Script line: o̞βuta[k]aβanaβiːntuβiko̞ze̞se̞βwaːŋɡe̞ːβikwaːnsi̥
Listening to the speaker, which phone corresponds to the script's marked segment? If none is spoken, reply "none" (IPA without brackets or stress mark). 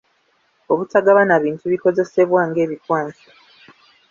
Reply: ɡ